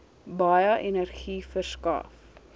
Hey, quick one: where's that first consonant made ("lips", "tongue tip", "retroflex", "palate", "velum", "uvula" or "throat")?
lips